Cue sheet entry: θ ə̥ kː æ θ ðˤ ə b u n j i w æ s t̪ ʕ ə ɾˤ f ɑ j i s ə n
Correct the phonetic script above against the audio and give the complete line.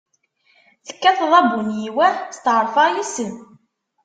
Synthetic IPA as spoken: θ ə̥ kː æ θ ðˤ ɑ b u n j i w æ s t̪ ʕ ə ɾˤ f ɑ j i s ə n